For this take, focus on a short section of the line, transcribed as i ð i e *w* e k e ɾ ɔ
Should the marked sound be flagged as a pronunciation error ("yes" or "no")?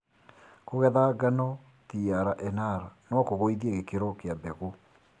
yes